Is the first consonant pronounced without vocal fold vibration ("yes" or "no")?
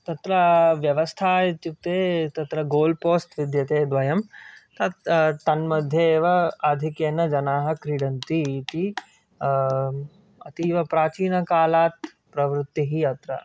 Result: yes